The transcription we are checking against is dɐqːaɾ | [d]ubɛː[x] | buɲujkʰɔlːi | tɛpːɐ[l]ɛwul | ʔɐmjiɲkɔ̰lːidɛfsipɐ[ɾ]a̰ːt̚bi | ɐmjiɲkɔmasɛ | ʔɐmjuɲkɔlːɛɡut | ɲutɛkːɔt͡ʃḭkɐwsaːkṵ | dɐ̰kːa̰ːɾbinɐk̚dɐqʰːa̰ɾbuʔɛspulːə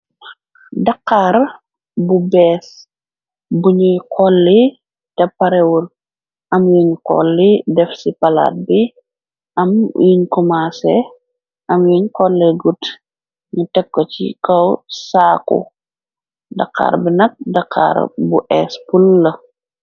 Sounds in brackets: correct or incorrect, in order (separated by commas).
incorrect, incorrect, incorrect, incorrect